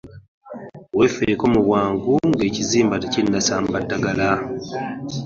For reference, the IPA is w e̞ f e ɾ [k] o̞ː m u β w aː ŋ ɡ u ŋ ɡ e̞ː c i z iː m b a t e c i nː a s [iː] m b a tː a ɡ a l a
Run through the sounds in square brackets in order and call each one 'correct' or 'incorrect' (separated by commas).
correct, incorrect